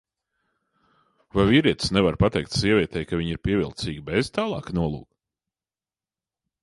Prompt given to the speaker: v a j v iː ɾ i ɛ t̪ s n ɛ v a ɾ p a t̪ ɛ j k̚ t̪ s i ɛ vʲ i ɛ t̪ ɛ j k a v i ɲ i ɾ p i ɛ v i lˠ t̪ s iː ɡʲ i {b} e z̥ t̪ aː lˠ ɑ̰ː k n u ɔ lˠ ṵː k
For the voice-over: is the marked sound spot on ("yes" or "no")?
yes